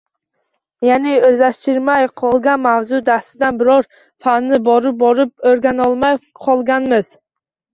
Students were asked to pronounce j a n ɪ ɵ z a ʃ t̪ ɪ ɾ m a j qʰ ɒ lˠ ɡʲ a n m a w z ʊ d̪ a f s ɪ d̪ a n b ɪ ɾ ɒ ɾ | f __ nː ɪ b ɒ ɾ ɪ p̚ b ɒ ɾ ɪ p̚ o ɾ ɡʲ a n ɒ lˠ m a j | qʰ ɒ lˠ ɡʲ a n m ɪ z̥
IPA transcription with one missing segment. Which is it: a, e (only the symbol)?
a